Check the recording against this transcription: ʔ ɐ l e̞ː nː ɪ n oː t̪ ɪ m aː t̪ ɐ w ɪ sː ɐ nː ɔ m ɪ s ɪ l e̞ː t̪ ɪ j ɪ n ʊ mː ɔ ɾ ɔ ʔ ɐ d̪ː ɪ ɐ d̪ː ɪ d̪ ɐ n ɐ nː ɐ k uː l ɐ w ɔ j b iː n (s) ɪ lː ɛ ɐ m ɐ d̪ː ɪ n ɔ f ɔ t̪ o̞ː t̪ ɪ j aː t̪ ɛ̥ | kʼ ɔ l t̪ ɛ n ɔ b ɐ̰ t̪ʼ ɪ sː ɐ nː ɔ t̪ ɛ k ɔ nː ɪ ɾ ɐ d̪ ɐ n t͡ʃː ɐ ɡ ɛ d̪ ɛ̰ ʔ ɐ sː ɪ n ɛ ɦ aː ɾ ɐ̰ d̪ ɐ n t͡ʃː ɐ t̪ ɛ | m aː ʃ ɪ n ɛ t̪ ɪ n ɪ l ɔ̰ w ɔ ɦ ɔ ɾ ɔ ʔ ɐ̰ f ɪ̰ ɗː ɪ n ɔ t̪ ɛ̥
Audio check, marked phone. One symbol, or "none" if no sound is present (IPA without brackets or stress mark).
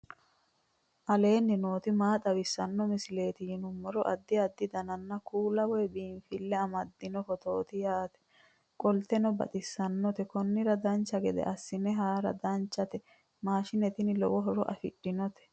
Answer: f